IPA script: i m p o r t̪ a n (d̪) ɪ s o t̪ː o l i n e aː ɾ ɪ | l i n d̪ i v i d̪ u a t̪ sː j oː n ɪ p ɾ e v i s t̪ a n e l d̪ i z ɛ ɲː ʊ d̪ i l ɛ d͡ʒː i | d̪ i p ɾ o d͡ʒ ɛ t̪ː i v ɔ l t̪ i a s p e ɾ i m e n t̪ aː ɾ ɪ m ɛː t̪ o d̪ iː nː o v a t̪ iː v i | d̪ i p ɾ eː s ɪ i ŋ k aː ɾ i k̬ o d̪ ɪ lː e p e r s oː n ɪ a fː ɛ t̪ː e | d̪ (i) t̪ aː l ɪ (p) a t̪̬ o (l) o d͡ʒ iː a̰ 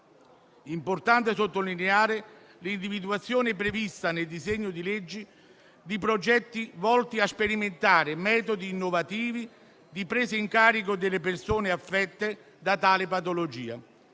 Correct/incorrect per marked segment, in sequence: incorrect: t̪, incorrect: a, correct, correct

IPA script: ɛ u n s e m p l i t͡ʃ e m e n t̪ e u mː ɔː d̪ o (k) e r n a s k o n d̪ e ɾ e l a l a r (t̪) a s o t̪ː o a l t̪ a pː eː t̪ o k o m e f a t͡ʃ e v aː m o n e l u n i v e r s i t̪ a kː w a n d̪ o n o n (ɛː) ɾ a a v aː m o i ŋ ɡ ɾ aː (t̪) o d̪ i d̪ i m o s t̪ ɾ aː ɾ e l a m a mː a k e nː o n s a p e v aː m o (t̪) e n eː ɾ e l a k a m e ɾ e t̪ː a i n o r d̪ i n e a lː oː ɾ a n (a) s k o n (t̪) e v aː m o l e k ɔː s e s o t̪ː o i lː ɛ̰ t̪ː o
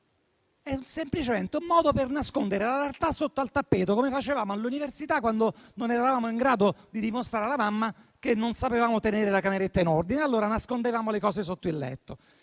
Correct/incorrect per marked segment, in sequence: incorrect: p, correct, incorrect: ɛ, incorrect: d̪, correct, correct, incorrect: d̪

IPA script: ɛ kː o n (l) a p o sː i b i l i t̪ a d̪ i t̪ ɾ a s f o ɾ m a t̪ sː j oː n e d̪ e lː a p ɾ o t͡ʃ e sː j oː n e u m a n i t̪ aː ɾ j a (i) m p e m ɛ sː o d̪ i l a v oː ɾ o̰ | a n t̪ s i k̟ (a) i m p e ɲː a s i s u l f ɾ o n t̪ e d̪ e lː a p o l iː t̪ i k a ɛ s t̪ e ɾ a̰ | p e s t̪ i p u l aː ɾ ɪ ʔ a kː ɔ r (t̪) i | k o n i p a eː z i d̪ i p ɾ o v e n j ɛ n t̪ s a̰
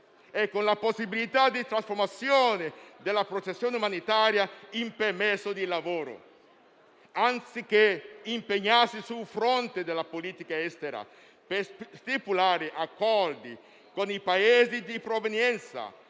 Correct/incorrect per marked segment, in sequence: correct, correct, incorrect: e, incorrect: d̪

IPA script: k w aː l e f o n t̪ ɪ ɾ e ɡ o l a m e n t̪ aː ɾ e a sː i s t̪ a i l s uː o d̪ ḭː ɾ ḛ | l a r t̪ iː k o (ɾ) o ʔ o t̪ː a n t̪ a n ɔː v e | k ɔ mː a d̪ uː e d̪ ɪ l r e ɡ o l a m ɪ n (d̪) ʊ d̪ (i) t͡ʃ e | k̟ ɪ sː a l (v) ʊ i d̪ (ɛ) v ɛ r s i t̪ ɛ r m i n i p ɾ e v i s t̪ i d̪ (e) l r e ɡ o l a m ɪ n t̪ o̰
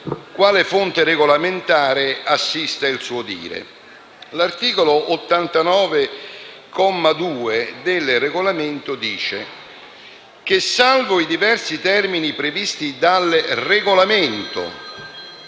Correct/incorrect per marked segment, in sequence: incorrect: l, incorrect: t̪, incorrect: iː, correct, incorrect: i, incorrect: a

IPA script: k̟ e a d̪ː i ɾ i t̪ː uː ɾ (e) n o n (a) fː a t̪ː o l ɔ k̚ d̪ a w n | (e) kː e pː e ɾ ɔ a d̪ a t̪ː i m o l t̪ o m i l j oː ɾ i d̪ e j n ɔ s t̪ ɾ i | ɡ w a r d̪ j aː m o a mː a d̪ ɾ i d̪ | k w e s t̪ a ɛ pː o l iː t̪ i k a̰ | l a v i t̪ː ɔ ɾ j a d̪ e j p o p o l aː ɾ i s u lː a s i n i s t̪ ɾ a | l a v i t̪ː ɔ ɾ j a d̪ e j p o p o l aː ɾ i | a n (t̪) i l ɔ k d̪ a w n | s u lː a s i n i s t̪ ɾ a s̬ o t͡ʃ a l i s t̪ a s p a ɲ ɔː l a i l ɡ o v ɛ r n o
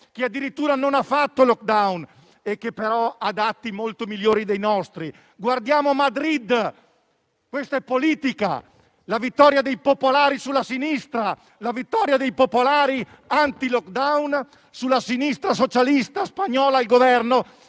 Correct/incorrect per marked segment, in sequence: incorrect: a, correct, correct, correct

